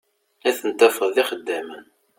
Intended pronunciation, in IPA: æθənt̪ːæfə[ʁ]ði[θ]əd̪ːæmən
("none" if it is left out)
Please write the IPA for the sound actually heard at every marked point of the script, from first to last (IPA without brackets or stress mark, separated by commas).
ð, χ